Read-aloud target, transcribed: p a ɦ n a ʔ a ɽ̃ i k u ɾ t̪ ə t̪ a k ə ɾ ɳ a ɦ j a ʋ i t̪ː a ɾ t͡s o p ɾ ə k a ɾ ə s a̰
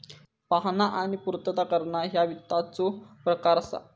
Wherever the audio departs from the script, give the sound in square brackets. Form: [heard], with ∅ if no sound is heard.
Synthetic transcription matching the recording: p a ɦ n a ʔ a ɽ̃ i [p] u ɾ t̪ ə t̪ a k ə ɾ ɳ a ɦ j a ʋ i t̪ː a [∅] t͡s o p ɾ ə k a ɾ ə s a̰

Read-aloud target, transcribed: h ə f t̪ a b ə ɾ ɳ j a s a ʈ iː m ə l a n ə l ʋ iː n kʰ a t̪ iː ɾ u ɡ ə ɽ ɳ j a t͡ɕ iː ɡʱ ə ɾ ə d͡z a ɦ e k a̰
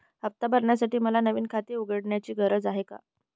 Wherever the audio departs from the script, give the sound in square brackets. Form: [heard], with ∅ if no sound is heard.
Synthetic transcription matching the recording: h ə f t̪ a b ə ɾ ɳ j a s a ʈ iː m ə l a n ə [∅] ʋ iː n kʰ a t̪ iː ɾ u ɡ ə ɽ ɳ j a t͡ɕ iː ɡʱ ə ɾ ə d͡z a ɦ e k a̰

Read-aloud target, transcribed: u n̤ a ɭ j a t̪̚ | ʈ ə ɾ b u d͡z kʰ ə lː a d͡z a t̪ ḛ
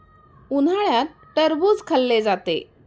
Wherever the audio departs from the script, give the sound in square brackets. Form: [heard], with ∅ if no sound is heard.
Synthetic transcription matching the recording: u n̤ a ɭ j a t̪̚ | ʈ ə ɾ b u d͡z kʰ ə lː [e] d͡z a t̪ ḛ

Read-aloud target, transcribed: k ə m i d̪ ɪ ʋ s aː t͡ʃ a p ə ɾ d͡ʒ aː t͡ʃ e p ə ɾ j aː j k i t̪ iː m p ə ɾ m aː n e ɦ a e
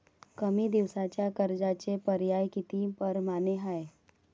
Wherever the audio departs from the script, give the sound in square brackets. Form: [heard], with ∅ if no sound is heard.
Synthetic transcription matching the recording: k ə m i d̪ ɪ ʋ s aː t͡ʃ a [k] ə ɾ d͡ʒ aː t͡ʃ e p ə ɾ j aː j k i t̪ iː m p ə ɾ m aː n e ɦ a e

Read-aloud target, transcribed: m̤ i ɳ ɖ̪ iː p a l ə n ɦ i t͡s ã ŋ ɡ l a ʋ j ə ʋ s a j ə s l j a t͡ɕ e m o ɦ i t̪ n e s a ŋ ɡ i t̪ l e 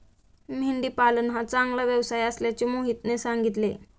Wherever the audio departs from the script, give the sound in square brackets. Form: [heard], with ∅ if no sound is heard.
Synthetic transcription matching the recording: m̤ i ɳ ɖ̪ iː p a l ə n ɦ [a] t͡s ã ŋ ɡ l a ʋ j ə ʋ s a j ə s l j a t͡ɕ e m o ɦ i t̪ n e s a ŋ ɡ i t̪ l e

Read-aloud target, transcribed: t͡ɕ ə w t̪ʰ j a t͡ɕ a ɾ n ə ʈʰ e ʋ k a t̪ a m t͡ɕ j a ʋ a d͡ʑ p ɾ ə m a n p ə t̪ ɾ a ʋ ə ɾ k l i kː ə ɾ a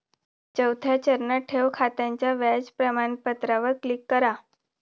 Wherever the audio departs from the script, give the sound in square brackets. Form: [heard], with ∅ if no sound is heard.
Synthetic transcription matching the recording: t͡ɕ ə w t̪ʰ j a t͡ɕ [ə] ɾ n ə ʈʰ e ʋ [kʰ] a t̪ a [ɲ] t͡ɕ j a ʋ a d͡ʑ p ɾ ə m a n p ə t̪ ɾ a ʋ ə ɾ k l i kː ə ɾ a

